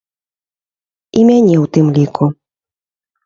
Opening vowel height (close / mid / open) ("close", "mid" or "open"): close